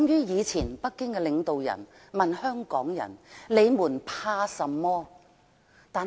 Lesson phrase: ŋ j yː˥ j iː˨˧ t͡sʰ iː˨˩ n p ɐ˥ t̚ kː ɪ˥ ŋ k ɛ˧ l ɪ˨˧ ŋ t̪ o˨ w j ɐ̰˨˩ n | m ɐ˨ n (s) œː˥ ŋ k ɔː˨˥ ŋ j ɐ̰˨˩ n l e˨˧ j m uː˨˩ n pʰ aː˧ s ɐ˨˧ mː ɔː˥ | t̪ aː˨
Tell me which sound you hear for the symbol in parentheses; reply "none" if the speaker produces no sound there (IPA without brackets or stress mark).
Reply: h